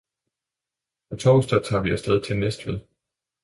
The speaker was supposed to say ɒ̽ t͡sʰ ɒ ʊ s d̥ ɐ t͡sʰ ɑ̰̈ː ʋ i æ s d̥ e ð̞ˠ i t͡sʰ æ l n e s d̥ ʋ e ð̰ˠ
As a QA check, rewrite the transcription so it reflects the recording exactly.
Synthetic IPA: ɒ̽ t͡sʰ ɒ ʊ s d̥ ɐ t͡sʰ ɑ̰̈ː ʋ i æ s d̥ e ð̞ˠ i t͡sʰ e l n e s d̥ ʋ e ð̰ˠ